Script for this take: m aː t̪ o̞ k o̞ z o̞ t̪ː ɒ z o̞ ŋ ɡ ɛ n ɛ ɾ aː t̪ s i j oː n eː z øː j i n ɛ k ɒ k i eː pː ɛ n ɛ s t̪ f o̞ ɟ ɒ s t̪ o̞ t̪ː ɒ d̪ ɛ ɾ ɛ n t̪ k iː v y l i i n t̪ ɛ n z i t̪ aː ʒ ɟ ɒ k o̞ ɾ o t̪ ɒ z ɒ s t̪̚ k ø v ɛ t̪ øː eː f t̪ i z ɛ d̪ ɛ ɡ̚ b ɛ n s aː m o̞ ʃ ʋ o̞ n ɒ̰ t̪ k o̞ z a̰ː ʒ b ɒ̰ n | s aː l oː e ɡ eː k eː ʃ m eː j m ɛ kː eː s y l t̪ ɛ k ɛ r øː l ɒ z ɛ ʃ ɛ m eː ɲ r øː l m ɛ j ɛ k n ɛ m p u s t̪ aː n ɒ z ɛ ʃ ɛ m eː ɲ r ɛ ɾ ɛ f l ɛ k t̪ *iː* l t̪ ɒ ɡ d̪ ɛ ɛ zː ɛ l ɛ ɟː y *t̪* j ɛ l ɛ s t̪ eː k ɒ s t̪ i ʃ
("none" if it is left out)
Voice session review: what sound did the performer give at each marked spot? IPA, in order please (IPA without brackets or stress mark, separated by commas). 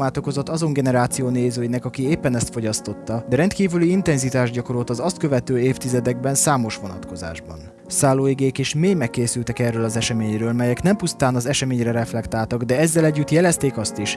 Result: aː, t̪